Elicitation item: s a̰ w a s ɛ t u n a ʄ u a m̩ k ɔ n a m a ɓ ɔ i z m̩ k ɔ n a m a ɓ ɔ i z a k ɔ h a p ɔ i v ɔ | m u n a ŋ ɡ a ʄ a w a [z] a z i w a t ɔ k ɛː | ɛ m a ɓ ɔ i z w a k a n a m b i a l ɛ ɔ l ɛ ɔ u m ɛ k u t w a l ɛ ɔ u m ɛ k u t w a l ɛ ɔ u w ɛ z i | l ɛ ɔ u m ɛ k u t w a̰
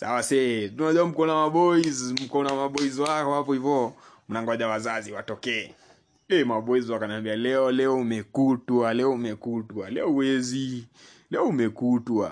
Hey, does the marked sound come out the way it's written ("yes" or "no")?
yes